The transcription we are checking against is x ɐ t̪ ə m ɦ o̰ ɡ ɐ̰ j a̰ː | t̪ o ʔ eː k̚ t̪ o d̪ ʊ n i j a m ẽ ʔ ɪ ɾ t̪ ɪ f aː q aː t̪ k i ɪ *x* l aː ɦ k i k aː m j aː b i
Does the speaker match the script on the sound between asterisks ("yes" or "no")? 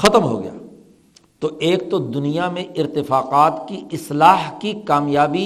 no